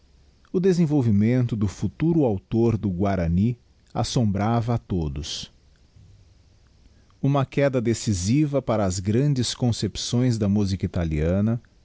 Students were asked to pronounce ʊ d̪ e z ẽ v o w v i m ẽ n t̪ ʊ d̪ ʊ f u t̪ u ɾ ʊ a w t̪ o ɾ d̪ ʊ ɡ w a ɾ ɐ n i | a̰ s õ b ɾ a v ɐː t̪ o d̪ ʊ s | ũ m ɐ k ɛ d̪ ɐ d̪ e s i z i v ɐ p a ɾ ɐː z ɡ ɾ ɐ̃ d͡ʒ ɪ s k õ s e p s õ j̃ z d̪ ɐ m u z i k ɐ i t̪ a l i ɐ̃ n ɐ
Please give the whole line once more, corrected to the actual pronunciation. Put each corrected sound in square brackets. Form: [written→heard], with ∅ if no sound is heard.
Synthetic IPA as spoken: ʊ d̪ e z ẽ v o w v i m ẽ n t̪ ʊ d̪ ʊ f u t̪ u ɾ ʊ a w t̪ o ɾ d̪ ʊ ɡ w a ɾ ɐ n i | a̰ s õ b ɾ a v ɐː t̪ o d̪ ʊ s | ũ m ɐ k ɛ d̪ ɐ d̪ e s i z i v ɐ p a ɾ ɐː z ɡ ɾ ɐ̃ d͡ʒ ɪ s k õ s e p s õ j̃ z d̪ ɐ m u z i k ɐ i t̪ a l i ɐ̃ n ɐ